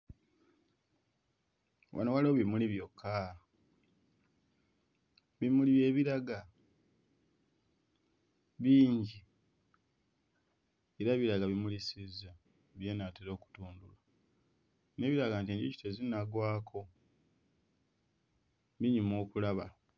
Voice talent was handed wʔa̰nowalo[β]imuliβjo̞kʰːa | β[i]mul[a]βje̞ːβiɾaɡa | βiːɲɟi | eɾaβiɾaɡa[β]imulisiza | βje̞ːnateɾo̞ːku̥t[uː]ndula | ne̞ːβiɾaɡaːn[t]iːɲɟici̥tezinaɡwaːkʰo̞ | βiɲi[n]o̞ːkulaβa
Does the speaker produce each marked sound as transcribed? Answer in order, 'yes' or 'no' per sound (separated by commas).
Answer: yes, yes, no, yes, yes, yes, no